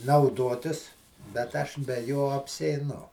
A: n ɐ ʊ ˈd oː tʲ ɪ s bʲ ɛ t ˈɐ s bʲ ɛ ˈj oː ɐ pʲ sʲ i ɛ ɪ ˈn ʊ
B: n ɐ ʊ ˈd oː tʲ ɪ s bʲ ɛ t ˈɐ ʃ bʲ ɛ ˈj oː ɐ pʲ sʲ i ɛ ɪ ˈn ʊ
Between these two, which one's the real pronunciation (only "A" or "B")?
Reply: B